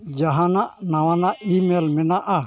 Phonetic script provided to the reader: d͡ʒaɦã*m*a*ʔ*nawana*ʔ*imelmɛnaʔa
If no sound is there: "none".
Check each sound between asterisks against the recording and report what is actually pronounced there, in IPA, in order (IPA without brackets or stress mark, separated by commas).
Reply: n, ʔ, ʔ